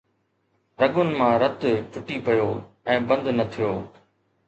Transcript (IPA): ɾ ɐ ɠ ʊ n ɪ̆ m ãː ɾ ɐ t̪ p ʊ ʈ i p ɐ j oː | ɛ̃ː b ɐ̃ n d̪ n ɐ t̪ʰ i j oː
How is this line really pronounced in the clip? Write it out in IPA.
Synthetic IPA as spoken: ɾ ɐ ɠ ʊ n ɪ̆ m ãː ɾ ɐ t̪ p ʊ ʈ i p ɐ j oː | ɛ̃ː b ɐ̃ n d̪ n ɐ t̪ʰ i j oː